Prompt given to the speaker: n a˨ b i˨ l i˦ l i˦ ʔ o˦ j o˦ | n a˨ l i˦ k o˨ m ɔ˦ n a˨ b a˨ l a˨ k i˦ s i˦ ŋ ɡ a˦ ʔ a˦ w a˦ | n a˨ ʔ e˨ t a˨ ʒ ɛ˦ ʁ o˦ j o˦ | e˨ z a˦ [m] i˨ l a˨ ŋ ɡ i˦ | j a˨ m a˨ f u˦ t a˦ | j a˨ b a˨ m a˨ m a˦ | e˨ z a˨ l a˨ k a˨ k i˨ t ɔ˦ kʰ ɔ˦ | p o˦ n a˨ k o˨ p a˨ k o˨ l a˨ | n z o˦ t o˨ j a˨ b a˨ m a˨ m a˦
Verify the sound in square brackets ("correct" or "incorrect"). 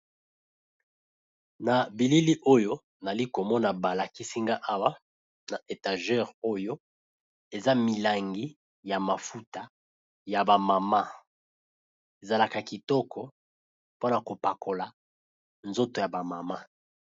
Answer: correct